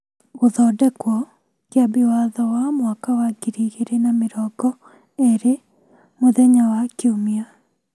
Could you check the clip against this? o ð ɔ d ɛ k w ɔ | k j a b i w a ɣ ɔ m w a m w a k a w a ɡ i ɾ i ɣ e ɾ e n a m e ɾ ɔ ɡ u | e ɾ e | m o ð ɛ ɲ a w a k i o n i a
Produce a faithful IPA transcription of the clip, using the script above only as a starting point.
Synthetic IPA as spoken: o ð ɔ d ɛ k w ɔ | k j a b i w a ð ɔ w a m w a k a w a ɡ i ɾ i ɣ e ɾ e n a m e ɾ ɔ ɡ ɔ | e ɾ e | m o ð ɛ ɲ a w a k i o m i a

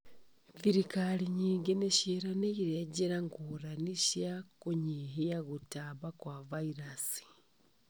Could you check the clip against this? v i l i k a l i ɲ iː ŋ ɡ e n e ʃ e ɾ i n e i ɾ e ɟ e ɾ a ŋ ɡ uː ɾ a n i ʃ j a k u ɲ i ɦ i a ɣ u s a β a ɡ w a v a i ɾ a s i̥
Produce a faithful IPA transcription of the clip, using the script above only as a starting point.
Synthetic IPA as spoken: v i ɾ i k a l i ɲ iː ŋ ɡ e n e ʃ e ɾ a n e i ɾ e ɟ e ɾ a ŋ ɡ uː ɾ a n i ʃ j a k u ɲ i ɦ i a ɣ u t a β a k w a v a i ɾ a s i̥

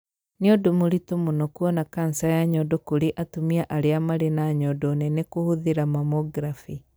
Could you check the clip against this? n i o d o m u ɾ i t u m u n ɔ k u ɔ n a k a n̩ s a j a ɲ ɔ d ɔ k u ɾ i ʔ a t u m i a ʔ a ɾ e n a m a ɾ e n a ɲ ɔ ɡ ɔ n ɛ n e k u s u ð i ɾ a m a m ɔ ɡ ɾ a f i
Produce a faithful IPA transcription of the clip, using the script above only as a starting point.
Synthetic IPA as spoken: n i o d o m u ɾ i t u m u n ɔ k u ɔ n a k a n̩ s a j a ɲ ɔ d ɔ k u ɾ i ʔ a t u m i a ʔ a ɾ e a m a ɾ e n a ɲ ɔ d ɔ n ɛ n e k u h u ð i ɾ a m a m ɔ ɡ ɾ a f i

